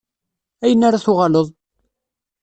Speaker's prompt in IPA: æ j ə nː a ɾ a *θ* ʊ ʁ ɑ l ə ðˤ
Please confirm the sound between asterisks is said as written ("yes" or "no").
yes